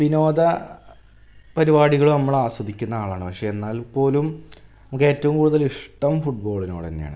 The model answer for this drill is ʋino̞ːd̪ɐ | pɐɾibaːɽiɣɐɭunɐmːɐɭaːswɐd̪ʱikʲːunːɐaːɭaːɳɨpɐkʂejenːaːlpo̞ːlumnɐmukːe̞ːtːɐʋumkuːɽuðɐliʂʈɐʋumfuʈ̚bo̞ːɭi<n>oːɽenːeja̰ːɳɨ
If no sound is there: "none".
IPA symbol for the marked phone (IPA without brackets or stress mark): n